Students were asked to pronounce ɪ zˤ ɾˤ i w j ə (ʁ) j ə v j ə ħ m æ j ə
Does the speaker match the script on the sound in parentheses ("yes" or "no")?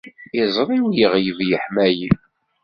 yes